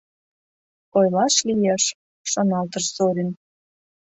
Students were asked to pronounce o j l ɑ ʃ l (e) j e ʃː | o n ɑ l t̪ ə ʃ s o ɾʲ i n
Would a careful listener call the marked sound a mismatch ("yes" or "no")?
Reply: yes